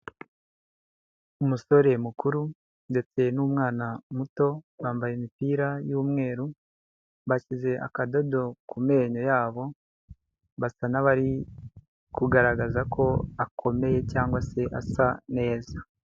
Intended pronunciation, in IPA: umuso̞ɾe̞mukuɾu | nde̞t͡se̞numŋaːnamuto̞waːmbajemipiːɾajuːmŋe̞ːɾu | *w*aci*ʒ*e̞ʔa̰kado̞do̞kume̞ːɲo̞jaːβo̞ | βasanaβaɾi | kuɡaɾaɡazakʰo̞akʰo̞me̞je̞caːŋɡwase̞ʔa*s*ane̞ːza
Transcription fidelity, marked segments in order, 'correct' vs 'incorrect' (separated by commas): incorrect, incorrect, correct